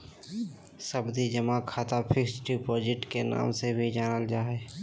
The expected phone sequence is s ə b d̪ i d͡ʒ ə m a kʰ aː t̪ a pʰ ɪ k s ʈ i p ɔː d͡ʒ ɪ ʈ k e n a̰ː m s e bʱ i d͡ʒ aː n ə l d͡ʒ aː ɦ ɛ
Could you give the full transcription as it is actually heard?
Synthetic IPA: s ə b d̪ i d͡ʒ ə m a kʰ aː t̪ a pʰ ɪ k s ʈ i p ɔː d͡ʒ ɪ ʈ k e n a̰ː m s e bʱ i d͡ʒ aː n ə l d͡ʒ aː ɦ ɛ